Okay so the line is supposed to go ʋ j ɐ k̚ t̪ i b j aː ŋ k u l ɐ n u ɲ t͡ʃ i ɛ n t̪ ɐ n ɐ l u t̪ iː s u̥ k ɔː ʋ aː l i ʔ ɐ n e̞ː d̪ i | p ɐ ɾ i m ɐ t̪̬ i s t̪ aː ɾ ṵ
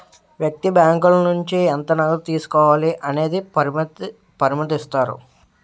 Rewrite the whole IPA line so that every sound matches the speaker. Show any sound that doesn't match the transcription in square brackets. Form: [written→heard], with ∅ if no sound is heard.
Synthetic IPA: ʋ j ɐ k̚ t̪ i b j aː ŋ k u l ɐ n u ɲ t͡ʃ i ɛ n t̪ ɐ n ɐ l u t̪ iː s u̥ k ɔː ʋ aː l i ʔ ɐ n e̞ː d̪ i | p ɐ ɾ i m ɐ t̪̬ i s t̪ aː ɾ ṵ

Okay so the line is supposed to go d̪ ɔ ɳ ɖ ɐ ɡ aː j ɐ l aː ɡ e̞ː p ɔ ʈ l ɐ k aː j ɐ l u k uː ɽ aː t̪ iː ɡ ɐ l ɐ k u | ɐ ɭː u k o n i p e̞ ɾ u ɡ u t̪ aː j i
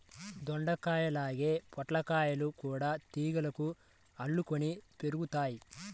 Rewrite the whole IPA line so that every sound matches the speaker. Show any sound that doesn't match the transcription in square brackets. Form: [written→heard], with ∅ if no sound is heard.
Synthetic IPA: d̪ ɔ ɳ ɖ ɐ [ɡ→k] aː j ɐ l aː ɡ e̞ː p ɔ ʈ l ɐ k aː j ɐ l u k uː ɽ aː t̪ iː ɡ ɐ l ɐ k u | ɐ ɭː u k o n i p e̞ ɾ u ɡ u t̪ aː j i

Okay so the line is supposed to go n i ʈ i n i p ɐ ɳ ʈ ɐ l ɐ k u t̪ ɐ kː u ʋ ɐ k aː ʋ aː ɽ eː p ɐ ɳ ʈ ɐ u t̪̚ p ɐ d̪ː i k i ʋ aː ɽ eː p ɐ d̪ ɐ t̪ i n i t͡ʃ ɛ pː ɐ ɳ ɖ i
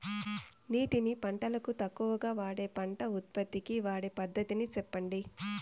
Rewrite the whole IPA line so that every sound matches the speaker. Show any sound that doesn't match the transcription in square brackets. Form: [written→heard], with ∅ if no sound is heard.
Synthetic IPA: n [i→iː] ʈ i n i p ɐ ɳ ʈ ɐ l ɐ k u t̪ ɐ kː u ʋ ɐ [k→ɡ] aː ʋ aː ɽ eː p ɐ ɳ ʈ ɐ u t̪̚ p ɐ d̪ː i k i ʋ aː ɽ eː p ɐ [d̪→d̪ː] ɐ t̪ i n i t͡ʃ ɛ pː ɐ ɳ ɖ i

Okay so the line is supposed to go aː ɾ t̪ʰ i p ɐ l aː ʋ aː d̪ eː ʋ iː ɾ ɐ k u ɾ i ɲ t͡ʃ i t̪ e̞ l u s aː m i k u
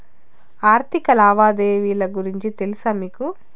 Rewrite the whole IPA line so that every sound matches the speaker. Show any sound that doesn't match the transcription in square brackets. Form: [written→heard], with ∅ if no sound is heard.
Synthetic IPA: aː ɾ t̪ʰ i [p→k] ɐ l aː ʋ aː d̪ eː ʋ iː [ɾ→l] ɐ [k→ɡ] u ɾ i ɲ t͡ʃ i t̪ e̞ l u s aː m [i→iː] k u

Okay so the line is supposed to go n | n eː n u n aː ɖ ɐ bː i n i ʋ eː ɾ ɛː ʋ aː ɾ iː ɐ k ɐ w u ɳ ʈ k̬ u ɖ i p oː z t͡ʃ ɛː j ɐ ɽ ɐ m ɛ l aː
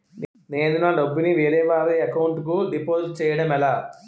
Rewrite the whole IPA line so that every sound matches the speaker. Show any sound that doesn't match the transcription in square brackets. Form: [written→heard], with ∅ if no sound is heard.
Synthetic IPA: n | n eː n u n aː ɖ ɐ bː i n i ʋ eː ɾ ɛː ʋ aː ɾ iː ɐ k ɐ w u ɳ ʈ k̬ u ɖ i p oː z t͡ʃ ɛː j ɐ ɽ ɐ m ɛ l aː

